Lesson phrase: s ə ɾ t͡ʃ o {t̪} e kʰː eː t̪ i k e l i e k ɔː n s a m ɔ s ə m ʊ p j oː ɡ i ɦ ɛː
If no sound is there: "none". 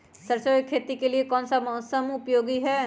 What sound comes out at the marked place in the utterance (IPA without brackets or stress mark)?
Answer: none